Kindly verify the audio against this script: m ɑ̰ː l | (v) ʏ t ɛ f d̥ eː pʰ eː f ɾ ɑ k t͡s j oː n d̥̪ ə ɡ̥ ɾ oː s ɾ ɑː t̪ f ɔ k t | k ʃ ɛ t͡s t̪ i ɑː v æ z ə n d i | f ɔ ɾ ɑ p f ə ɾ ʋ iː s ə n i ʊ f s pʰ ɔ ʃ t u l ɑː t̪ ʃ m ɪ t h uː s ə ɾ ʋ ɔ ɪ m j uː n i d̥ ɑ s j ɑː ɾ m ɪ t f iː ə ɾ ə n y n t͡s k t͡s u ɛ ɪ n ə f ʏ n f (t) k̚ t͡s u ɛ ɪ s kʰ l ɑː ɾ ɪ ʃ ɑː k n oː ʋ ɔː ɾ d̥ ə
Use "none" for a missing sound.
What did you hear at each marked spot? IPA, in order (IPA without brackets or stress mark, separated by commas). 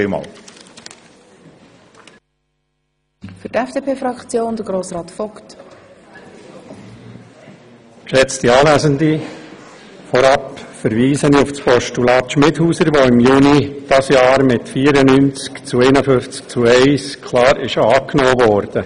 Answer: f, t͡s